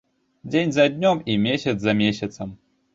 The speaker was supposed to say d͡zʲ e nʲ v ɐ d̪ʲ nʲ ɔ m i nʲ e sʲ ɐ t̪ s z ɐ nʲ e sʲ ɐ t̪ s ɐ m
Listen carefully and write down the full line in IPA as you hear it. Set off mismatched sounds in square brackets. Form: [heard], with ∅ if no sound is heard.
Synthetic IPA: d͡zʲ e nʲ [z] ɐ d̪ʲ nʲ ɔ m i [mʲ] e sʲ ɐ t̪ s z ɐ [mʲ] e sʲ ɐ t̪ s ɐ m